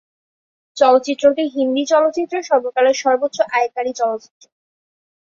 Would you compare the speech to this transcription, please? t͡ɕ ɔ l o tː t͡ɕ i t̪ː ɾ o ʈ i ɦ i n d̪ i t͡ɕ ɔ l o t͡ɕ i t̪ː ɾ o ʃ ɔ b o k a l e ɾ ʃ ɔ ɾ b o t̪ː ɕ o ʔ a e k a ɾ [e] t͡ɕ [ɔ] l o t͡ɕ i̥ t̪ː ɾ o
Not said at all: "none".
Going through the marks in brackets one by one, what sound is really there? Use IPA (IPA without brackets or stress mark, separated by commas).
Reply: i, ɔ